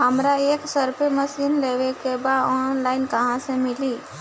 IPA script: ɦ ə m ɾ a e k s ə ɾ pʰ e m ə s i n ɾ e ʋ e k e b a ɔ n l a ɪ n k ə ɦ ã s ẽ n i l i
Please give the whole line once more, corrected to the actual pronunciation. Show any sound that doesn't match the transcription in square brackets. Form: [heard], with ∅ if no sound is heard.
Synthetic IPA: ɦ ə m ɾ a e k s ə ɾ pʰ e m ə s i n [l] e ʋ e k e b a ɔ n l a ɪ n k ə ɦ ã s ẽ [m] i l i